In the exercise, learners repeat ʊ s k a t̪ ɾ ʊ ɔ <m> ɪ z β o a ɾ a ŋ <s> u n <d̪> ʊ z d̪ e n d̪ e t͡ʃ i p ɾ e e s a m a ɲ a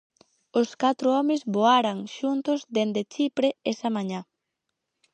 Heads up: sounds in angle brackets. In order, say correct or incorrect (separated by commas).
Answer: correct, incorrect, incorrect